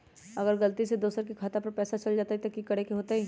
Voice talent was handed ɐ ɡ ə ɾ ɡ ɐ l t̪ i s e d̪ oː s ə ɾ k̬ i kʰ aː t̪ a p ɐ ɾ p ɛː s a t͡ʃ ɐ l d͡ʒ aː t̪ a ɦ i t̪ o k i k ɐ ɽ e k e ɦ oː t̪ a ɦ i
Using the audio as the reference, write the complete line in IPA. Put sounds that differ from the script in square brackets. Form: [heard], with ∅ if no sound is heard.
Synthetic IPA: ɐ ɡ ə ɾ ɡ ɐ l t̪ i s e d̪ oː s ə ɾ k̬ i kʰ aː t̪ a p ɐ ɾ p ɛː s a t͡ʃ ɐ l d͡ʒ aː t̪ a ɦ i t̪ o k i k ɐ ɽ e k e ɦ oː t̪ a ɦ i